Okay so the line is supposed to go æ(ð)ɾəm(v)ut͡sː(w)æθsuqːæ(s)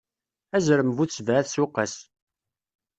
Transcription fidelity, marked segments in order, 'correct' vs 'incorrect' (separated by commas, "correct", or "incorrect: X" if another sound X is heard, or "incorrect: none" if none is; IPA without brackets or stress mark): incorrect: z, correct, incorrect: v, correct